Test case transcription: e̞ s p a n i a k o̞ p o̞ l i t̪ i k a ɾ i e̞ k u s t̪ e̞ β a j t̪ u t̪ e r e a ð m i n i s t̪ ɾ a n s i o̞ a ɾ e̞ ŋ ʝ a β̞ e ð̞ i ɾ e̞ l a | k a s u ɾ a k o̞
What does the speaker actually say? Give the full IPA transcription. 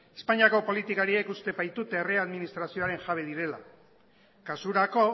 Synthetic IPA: e̞ s p a ɲ i a k o̞ p o̞ l i t̪ i k a ɾ i e̞ k u s t̪ e̞ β a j t̪ u t̪ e r e a ð m i n i s t̪ ɾ a s i o̞ a ɾ e̞ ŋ ʝ a β̞ e ð̞ i ɾ e̞ l a | k a s u ɾ a k o̞

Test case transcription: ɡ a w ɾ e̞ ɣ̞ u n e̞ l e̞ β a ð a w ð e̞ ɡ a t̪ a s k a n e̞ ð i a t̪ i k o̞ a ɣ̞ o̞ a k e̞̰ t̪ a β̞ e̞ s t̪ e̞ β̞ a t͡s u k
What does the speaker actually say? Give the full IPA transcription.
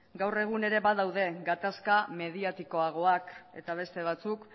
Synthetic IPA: ɡ a w r e̞ ɣ̞ u n e̞ ɾ e̞ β a ð a w ð e̞ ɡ a t̪ a s k a m e̞ ð i a t̪ i k o̞ a ɣ̞ o̞ a k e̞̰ t̪ a β̞ e̞ s t̪ e̞ β̞ a t͡s u k

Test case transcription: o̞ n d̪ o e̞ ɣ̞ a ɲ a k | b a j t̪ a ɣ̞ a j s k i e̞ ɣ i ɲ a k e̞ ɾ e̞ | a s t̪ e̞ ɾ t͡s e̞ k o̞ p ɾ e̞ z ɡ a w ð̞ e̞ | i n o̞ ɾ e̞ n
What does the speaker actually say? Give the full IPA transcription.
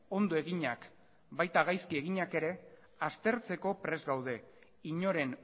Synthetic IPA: o̞ n d̪ o e̞ ɣ̞ i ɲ a k | b a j t̪ a ɣ̞ a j s k i e̞ ɣ i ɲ a k e̞ ɾ e̞ | a s t̪ e̞ ɾ t͡s e̞ k o̞ p ɾ e̞ z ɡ a w ð̞ e̞ | i ɲ o̞ ɾ e̞ n

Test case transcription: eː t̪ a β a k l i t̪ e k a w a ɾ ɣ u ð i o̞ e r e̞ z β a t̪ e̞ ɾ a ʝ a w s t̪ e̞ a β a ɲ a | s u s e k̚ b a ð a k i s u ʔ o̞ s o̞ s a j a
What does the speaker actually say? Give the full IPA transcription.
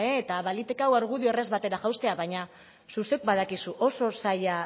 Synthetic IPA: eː t̪ a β a l i t̪ e k a w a ɾ ɣ u ð i o̞ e r e̞ z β a t̪ e̞ ɾ a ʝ a w s t̪ e̞ a β a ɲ a | s u s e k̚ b a ð a k i s u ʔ o̞ s o̞ s a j a

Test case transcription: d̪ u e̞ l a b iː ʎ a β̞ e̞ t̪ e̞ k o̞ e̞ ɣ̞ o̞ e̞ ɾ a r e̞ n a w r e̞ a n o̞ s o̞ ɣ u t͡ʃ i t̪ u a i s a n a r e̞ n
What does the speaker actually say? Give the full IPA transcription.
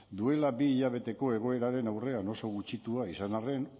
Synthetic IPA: d̪ u e̞ l a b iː ʎ a β̞ e̞ t̪ e̞ k o̞ e̞ ɣ̞ o̞ e̞ ɾ a ɾ e̞ n a w r e̞ a n o̞ s o̞ ɣ u t͡ʃ i t̪ u a i s a n a r e̞ n

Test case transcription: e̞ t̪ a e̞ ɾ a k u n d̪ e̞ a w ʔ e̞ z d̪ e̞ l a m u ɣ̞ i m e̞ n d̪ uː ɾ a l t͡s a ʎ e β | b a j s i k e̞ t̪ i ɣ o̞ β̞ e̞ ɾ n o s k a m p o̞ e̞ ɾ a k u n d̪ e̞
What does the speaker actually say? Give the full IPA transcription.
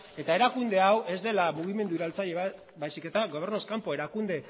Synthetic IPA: e̞ t̪ a e̞ ɾ a k u n d̪ e̞ a w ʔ e̞ z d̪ e̞ l a m u ɣ̞ i m e̞ n d̪ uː ɾ a l t͡s a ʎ e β | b a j s i k e̞ t̪ a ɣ o̞ β̞ e̞ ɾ n o s k a m p o̞ e̞ ɾ a k u n d̪ e̞

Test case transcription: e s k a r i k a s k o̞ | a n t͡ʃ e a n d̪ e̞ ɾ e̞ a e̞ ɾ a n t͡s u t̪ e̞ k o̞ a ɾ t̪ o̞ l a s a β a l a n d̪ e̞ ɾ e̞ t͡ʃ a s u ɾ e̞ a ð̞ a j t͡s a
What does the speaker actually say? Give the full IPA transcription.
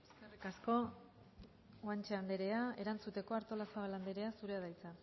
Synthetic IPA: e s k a r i k a s k o̞ | a n t͡ʃ e a n d̪ e̞ ɾ e̞ a e̞ ɾ a n t͡s u t̪ e̞ k o̞ a ɾ t̪ o̞ l a s a β a l a n d̪ e̞ ɾ e̞ a s u ɾ e̞ a ð̞ a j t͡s a

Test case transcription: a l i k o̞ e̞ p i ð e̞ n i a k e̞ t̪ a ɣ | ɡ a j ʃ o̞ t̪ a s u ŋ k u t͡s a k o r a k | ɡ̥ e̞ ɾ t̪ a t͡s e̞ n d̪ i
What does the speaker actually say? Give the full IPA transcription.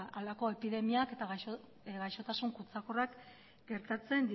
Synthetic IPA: a l a k o̞ e̞ p i ð e̞ m i a k e̞ t̪ a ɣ | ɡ a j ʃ o̞ t̪ a s u ŋ k u t͡s a k o r a k | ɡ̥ e̞ ɾ t̪ a t͡s e̞ n d̪ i

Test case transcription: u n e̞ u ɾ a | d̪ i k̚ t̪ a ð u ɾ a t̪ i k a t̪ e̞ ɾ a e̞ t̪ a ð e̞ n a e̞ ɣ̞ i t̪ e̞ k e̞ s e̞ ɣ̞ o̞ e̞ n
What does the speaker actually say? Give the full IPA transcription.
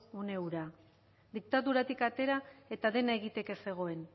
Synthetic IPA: u n e̞ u ɾ a | d̪ i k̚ t̪ a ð u ɾ a t̪ i k a t̪ e̞ ɾ a e̞ t̪ a ð e̞ n a e̞ ɣ̞ i t̪ e̞ k e̞ s e̞ ɣ̞ o̞ e̞ n

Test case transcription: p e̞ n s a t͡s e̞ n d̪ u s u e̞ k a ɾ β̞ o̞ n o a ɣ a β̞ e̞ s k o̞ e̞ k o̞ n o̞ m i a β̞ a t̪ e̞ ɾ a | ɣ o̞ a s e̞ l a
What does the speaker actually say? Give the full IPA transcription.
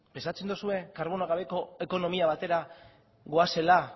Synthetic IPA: p e̞ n s a t͡s e̞ n d̪ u s u e̞ k a ɾ β̞ o̞ n o a ɣ a β̞ e̞ k o̞ e̞ k o̞ n o̞ m i a β̞ a t̪ e̞ ɾ a | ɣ o̞ a s e̞ l a

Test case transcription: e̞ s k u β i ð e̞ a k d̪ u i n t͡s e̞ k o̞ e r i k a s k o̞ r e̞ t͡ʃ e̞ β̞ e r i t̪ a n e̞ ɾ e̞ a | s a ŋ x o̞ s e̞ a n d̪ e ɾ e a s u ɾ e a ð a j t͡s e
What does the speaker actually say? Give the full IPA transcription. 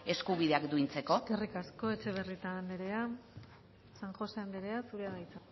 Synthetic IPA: e̞ s k u β i ð e̞ a k d̪ u i n t͡s e̞ k o̞ e r i k a s k o̞ e̞ t͡ʃ e̞ β̞ e r i t̪ a n e̞ ɾ e̞ a | s a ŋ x o̞ s e̞ a n d̪ e ɾ e a s u ɾ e a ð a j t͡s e

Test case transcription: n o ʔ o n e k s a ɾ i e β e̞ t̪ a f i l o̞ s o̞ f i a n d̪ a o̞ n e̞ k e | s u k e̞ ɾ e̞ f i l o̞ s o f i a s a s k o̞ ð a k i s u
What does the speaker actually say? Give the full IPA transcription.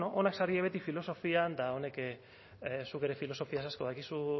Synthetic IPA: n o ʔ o n a k s a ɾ i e β e̞ t̪ i f i l o̞ s o̞ f i a n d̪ a o̞ n e̞ k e | s u k e̞ ɾ e̞ f i l o̞ s o f i a s a s k o̞ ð a k i s u

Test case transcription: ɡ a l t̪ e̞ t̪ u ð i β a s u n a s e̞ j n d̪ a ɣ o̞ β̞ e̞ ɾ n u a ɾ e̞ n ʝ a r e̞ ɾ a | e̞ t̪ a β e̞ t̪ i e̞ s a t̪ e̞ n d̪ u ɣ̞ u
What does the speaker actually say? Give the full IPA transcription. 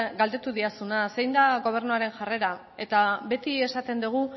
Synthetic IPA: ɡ a l d̪ e̞ t̪ u ð i a s u n a s e̞ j n d̪ a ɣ o̞ β̞ e̞ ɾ n u a ɾ e̞ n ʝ a r e̞ ɾ a | e̞ t̪ a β e̞ t̪ i e̞ s a t̪ e̞ n d̪ u ɣ̞ u

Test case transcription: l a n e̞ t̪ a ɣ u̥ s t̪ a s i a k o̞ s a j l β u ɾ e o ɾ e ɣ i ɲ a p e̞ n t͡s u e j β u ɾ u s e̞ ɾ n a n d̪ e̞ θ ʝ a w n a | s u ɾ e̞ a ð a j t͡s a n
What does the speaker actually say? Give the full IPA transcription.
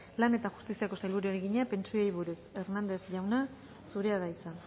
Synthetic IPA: l a n e̞ t̪ a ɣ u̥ s t̪ i s i a k o̞ s a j l β u ɾ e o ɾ e ɣ i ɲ a p e̞ n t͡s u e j β u ɾ u s e̞ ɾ n a n d̪ e̞ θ ʝ a w n a | s u ɾ e̞ a ð a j t͡s a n

